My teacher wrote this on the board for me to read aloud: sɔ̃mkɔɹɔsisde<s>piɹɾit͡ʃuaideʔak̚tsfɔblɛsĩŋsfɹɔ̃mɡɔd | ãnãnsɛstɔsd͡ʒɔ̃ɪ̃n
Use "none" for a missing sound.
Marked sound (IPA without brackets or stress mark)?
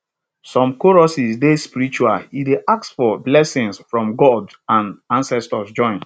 s